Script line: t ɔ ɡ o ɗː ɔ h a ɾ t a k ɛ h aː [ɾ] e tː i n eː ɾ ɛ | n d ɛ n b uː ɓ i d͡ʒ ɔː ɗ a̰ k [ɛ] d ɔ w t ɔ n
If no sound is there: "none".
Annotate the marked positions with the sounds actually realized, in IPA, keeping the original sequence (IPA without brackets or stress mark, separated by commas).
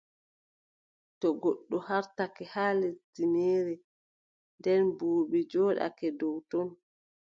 l, ɛ